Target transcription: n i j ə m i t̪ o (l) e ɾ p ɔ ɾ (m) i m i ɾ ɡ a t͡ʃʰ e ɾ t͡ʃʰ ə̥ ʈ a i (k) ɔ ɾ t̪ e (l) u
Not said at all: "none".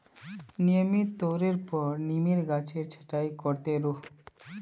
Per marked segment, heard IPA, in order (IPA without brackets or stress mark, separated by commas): ɾ, n, k, ɾ